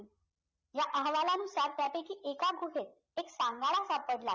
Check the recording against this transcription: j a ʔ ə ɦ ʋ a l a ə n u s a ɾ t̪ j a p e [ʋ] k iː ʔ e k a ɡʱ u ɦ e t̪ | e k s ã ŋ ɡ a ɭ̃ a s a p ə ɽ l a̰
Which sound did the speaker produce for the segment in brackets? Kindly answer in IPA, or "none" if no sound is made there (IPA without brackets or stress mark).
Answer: none